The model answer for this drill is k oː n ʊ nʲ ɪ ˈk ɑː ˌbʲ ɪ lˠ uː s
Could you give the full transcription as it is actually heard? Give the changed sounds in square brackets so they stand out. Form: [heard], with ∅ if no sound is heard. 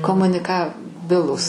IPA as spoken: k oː [m] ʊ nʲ ɪ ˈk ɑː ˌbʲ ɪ lˠ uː s